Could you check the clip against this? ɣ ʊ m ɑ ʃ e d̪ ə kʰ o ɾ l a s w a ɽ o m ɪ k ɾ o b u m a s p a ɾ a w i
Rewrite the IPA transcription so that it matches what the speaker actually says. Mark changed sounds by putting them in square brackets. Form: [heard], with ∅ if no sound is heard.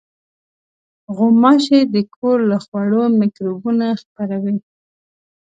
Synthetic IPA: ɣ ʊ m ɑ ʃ e d̪ ə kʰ o ɾ l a [x] w a ɽ o m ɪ k ɾ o b u [n] a [x] p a ɾ a w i